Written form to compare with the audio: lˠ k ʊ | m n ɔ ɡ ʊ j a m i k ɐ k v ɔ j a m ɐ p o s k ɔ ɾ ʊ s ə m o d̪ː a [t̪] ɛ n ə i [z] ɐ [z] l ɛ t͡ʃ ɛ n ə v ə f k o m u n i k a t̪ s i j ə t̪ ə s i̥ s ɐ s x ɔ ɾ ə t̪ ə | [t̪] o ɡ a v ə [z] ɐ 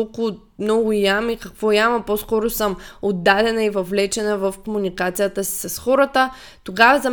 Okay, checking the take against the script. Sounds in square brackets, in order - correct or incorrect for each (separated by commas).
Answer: incorrect, incorrect, incorrect, correct, correct